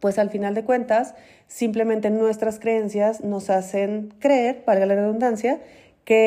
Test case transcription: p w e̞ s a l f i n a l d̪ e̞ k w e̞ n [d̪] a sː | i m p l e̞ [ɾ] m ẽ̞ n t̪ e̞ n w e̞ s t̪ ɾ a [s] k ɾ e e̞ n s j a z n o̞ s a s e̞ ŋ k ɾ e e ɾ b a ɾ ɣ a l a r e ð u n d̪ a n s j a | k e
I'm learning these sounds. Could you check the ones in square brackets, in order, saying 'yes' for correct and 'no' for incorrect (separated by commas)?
no, no, yes